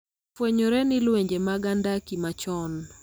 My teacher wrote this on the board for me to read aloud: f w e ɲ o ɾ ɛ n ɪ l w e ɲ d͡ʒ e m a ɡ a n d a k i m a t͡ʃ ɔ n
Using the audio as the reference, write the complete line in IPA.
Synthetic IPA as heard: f w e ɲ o ɾ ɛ n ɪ l w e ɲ d͡ʒ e m a ɡ a n d a k i m a t͡ʃ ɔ n